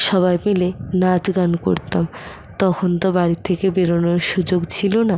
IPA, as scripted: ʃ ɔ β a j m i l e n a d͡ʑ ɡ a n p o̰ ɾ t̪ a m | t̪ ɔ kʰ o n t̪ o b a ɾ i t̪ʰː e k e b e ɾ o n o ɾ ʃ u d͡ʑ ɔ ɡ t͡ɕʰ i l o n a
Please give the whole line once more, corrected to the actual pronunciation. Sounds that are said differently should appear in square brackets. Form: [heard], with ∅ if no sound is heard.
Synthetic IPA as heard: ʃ ɔ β a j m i l e n a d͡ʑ ɡ a n [k] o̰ ɾ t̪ a m | t̪ ɔ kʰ o n t̪ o b a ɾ i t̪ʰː e k e b e ɾ o n o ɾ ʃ u d͡ʑ [o] ɡ t͡ɕʰ i l o n a